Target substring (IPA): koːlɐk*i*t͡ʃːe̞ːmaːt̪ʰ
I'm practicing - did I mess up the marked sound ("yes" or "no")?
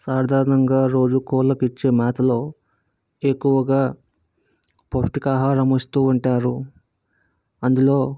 no